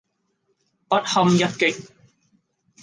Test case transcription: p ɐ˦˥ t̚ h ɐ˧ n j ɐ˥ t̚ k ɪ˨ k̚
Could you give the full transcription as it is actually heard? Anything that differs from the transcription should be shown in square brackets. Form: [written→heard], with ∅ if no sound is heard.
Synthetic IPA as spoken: p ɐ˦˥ t̚ h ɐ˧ [n→m] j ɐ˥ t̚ k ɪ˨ k̚